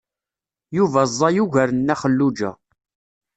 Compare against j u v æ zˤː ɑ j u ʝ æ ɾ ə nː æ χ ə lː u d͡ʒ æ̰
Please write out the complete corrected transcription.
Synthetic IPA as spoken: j u v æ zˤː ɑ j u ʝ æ ɾ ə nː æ χ ə lː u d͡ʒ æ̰